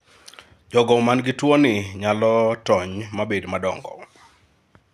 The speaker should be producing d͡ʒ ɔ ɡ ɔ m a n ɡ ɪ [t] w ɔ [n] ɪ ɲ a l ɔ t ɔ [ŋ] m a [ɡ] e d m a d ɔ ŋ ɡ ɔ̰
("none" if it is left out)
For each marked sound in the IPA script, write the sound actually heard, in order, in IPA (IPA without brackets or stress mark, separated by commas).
t, n, ɲ, b